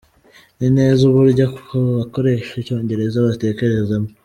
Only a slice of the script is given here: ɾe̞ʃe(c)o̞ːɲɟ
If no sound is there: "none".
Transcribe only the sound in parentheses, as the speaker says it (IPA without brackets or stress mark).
c